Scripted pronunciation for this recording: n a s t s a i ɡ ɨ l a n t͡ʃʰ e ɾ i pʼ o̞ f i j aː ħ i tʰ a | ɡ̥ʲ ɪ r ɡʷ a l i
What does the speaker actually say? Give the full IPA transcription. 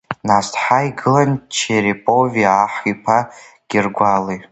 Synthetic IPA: n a s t ħ a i ɡ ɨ l a n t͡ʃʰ e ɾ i pʼ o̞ v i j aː ħ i pʰ a | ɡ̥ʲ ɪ r ɡʷ a l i